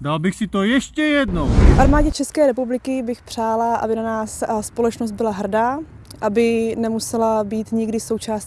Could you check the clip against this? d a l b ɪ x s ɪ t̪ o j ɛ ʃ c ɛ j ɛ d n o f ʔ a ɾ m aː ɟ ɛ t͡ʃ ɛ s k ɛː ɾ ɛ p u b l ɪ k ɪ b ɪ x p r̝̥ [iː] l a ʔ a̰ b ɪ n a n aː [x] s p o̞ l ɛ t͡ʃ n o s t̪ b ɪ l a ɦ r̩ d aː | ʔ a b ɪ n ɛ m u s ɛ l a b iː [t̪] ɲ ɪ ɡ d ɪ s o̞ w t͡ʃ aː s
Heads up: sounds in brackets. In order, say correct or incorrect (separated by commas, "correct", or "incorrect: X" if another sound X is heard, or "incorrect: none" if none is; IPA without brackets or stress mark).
incorrect: aː, incorrect: s, correct